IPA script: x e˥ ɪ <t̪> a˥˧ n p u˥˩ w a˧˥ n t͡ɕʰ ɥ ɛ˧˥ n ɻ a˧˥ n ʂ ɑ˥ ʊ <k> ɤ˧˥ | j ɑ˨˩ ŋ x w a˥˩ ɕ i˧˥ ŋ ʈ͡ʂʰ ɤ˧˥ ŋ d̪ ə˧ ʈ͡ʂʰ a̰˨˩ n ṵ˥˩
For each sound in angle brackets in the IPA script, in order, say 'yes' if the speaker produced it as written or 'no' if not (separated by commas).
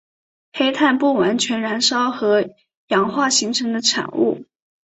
no, no